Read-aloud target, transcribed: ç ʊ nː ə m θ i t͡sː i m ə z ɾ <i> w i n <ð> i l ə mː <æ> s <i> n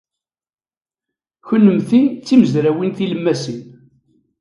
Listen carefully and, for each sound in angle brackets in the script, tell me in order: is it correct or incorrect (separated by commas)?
incorrect, incorrect, correct, correct